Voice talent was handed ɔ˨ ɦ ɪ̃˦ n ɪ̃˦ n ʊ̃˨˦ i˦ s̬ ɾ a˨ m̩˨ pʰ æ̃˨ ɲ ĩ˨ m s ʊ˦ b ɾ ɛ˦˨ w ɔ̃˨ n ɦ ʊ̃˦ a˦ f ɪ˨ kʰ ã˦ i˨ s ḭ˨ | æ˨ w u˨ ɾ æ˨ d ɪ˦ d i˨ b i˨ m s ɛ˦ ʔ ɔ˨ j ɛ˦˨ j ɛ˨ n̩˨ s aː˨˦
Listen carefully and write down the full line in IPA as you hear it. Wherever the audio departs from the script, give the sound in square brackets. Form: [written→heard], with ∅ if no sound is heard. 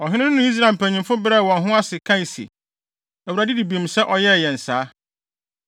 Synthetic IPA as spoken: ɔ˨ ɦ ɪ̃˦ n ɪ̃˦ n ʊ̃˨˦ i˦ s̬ ɾ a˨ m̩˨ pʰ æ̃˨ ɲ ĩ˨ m [s→f] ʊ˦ b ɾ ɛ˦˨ w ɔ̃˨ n ɦ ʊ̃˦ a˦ [f→s] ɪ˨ kʰ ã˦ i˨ s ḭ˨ | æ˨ w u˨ ɾ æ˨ d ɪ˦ d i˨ b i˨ m s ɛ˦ ʔ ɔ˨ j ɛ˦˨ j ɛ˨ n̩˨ s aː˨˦